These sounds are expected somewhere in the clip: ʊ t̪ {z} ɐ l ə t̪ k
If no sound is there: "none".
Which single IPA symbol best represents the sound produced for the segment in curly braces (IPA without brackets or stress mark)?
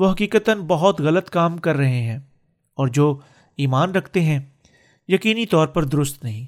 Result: ɣ